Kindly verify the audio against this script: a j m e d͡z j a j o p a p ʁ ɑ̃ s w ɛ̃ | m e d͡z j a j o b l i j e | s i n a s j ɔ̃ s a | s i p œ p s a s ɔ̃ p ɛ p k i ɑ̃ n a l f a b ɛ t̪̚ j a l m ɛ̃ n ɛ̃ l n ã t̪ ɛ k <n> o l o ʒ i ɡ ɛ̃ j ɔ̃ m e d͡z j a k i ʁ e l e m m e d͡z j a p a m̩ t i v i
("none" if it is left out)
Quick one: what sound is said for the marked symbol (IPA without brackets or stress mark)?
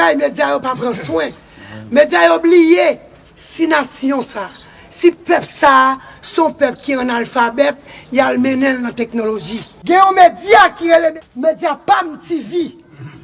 n